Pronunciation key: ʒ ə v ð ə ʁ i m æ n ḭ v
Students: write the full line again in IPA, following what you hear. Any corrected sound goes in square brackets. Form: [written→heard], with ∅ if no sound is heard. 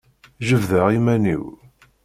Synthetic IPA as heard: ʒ ə v ð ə ʁ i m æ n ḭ [v→w]